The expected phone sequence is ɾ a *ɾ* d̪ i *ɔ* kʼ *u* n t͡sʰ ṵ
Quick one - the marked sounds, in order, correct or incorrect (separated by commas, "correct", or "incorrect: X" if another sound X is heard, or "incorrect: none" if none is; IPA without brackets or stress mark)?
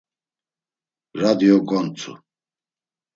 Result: incorrect: none, correct, incorrect: ɔ